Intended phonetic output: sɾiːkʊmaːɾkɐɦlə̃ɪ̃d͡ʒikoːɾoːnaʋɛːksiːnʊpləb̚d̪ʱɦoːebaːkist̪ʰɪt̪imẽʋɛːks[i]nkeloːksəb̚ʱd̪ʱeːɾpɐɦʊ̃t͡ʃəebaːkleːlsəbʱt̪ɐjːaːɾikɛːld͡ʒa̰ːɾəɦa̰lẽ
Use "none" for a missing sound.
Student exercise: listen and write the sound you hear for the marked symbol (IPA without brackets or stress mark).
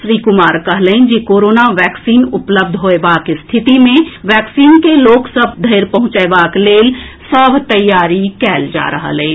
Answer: iː